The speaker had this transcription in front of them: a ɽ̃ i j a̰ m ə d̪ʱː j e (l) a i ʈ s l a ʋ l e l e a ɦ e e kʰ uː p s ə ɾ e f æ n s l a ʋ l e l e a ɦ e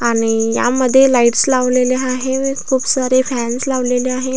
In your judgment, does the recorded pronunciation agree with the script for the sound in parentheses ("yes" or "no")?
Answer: yes